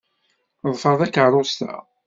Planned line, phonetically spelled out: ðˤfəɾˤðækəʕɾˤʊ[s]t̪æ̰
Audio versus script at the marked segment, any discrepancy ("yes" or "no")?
no